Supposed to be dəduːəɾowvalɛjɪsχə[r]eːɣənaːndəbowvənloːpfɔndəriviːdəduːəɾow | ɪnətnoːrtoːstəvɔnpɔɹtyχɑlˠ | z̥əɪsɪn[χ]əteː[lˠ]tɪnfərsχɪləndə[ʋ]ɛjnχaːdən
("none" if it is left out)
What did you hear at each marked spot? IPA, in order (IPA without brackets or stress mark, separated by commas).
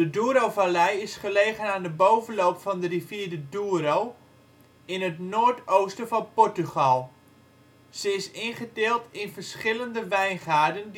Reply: l, χ, lˠ, ʋ